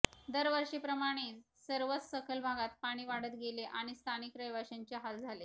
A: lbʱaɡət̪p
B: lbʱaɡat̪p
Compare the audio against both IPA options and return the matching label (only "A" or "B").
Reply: B